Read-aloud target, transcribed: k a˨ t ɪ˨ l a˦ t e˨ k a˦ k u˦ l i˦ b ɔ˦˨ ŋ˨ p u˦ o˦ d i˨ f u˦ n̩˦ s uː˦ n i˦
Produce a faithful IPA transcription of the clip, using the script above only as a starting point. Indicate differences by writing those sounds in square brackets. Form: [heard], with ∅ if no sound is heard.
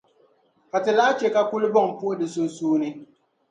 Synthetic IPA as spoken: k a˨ t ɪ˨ l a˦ [t͡ʃ] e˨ k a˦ k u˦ l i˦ b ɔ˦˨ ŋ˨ p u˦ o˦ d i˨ [s] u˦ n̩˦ s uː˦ n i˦